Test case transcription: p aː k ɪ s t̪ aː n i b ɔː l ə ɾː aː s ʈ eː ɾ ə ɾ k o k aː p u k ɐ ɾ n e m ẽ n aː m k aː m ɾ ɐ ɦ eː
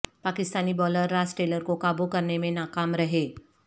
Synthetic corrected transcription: p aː k ɪ s t̪ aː n i b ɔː l ə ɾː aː s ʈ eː l ə ɾ k o k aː b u k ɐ ɾ n e m ẽ n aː k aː m ɾ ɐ ɦ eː